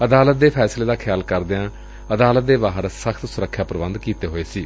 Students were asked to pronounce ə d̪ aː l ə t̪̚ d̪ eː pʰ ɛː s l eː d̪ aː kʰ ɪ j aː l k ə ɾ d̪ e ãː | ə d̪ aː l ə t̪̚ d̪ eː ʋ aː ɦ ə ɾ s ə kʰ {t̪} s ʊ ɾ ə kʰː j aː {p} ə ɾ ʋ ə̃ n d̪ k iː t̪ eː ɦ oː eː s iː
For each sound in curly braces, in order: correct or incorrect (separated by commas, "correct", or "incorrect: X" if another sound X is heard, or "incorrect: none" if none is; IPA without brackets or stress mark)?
correct, correct